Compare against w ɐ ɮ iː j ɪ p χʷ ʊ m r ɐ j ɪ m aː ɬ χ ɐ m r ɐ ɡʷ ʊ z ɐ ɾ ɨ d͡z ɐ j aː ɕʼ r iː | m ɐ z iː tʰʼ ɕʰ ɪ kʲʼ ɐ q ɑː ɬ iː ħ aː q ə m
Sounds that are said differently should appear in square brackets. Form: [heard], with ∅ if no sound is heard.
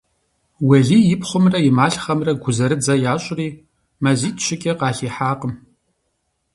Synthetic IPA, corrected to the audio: w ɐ ɮ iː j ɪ p χʷ ʊ m r ɐ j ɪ m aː ɬ χ ɐ m r ɐ ɡʷ ʊ z ɐ ɾ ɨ d͡z ɐ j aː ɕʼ r iː | m ɐ z iː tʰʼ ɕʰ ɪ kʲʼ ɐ q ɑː ɬ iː ħ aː q ə m

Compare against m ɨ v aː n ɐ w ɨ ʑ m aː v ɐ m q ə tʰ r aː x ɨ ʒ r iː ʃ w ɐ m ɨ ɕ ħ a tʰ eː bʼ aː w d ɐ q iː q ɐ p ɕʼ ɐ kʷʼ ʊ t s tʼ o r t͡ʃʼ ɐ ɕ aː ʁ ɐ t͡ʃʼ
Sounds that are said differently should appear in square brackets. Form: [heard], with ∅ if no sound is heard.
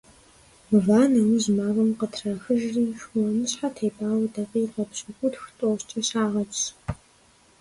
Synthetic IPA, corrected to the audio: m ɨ v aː n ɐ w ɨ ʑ m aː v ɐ m q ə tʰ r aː x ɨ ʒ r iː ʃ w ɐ m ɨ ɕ ħ a tʰ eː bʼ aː w d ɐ q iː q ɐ p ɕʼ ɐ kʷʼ ʊ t [x] tʼ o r t͡ʃʼ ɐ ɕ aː ʁ ɐ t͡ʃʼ

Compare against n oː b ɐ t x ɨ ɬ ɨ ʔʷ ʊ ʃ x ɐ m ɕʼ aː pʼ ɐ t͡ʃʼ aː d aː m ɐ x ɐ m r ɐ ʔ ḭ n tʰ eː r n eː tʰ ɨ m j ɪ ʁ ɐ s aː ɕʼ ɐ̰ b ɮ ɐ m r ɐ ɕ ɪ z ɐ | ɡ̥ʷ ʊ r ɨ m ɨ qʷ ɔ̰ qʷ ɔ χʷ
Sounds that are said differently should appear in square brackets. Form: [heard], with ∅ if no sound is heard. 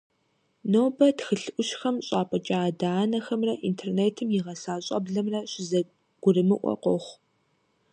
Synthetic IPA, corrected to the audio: n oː b ɐ t x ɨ ɬ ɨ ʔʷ ʊ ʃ x ɐ m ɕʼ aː pʼ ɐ t͡ʃʼ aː d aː [n] ɐ x ɐ m r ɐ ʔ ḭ n tʰ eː r n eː tʰ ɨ m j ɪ ʁ ɐ s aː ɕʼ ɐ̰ b ɮ ɐ m r ɐ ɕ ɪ z ɐ | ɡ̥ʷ ʊ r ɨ m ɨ [ʔʷ] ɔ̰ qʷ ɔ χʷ

